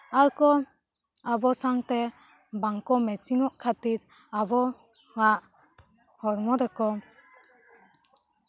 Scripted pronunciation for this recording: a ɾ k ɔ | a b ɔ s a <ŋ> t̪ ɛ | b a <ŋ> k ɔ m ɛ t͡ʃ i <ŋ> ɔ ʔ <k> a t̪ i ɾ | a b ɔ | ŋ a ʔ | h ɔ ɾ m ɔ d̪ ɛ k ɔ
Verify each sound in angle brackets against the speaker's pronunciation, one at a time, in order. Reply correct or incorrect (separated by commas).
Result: correct, correct, correct, incorrect